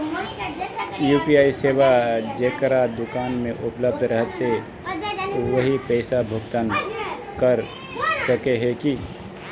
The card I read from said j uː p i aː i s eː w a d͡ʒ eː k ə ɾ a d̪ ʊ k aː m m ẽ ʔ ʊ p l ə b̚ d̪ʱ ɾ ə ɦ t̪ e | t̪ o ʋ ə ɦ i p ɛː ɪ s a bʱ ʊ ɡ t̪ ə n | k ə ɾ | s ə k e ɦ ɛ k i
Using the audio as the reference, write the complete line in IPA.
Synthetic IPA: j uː p i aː i s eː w a d͡ʒ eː k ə ɾ a d̪ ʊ k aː n m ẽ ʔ ʊ p l ə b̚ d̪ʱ ɾ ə ɦ t̪ e | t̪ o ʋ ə ɦ i p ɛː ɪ s a bʱ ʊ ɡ t̪ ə n | k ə ɾ | s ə k e ɦ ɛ k i